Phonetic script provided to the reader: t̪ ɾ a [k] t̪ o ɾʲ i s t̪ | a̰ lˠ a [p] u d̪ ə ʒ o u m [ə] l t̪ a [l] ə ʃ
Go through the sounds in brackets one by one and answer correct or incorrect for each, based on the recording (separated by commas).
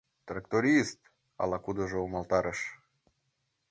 correct, incorrect, incorrect, incorrect